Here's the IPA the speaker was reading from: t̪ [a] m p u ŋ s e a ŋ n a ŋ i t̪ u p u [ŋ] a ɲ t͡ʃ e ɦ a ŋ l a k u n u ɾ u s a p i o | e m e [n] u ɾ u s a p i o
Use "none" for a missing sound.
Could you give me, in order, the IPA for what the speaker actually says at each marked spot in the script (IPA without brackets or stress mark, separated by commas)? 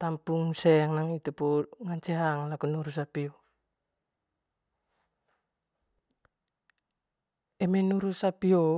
a, ŋ, n